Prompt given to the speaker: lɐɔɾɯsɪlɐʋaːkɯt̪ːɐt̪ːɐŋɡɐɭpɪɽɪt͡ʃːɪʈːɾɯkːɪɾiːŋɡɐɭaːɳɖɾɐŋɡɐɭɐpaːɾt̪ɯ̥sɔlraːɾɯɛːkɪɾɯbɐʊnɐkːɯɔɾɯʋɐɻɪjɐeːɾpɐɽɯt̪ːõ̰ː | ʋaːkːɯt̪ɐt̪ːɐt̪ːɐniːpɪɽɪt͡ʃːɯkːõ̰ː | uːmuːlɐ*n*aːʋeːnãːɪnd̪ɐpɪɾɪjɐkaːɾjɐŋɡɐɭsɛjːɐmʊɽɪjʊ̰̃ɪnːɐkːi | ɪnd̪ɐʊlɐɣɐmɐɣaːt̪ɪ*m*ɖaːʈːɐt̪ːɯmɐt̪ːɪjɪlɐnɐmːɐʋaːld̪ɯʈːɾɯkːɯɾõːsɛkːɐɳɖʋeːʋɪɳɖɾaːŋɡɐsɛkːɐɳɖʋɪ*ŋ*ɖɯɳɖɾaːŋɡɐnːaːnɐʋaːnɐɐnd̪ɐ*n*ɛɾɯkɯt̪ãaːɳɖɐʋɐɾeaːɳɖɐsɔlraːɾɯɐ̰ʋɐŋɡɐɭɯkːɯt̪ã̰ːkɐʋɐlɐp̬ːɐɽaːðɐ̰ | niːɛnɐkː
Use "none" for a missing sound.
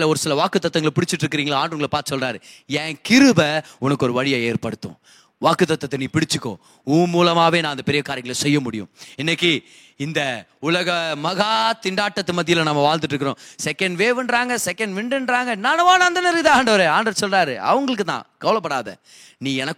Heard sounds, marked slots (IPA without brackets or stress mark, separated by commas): m, ɳ, ɳ, n